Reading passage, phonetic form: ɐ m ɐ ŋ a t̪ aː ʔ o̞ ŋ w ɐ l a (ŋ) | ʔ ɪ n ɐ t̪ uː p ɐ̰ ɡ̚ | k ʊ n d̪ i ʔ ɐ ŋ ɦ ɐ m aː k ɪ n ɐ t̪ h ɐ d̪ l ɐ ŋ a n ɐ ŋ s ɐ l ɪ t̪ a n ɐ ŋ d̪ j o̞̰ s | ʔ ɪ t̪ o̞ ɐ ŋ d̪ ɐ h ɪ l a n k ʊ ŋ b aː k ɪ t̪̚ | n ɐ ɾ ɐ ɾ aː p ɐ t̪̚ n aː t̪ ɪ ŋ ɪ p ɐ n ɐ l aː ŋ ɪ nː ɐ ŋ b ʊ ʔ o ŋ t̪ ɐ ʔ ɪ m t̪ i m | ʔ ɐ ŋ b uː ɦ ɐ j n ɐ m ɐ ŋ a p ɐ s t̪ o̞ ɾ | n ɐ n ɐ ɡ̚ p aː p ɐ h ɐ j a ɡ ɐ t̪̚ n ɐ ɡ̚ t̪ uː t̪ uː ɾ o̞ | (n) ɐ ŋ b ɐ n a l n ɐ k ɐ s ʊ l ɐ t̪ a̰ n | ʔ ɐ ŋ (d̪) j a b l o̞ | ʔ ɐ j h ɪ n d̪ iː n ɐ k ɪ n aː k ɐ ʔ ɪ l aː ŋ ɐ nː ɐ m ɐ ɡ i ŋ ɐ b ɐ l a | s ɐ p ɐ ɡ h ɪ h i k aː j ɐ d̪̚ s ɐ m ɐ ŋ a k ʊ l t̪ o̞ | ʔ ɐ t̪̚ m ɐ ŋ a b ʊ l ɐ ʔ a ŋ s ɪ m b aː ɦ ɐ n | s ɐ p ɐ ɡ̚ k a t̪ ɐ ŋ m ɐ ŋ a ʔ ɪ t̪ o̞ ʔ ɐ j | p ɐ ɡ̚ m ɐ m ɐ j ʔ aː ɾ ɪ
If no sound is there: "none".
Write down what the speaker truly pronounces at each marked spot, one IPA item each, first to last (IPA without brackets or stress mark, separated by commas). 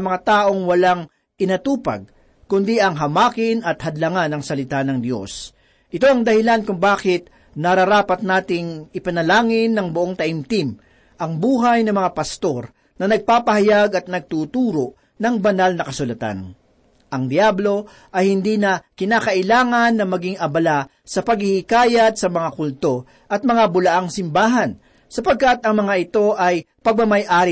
ŋ, n, d̪